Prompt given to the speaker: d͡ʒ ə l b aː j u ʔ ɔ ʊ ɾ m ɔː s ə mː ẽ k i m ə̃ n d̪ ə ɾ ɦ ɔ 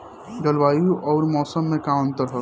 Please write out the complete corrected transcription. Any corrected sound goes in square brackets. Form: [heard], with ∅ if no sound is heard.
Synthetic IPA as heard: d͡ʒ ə l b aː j u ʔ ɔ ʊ ɾ m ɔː s ə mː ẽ k [a] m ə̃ n [t̪] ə ɾ ɦ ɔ